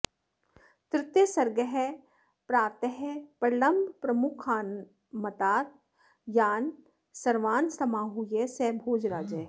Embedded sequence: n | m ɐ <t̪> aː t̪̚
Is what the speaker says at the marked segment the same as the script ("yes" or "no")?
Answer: yes